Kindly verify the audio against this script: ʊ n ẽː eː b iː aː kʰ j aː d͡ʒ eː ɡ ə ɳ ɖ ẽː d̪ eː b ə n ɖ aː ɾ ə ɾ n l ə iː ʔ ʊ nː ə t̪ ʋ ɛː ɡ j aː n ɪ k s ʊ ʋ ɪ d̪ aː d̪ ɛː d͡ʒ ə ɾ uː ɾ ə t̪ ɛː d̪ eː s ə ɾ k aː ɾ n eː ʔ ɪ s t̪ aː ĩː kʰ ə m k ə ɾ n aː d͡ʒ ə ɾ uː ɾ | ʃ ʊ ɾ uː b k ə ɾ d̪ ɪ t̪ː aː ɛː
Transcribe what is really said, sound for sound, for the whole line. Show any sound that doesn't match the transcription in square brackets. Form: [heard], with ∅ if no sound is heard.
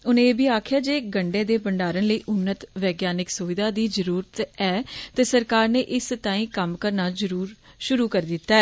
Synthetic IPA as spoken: ʊ n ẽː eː b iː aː kʰ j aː d͡ʒ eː ɡ ə ɳ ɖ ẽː d̪ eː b ə [ɳ] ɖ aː ɾ ə [∅] n l ə iː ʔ ʊ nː ə t̪ ʋ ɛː ɡ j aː n ɪ k s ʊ ʋ ɪ d̪ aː d̪ [iː] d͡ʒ ə ɾ uː ɾ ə t̪ ɛː [t̪] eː s ə ɾ k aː ɾ n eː ʔ ɪ s t̪ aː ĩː [k] ə m k ə ɾ n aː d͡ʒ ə ɾ uː ɾ | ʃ ʊ ɾ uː [∅] k ə ɾ d̪ ɪ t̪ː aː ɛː